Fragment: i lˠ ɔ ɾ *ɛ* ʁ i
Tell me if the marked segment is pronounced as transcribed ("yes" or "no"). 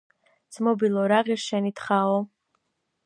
no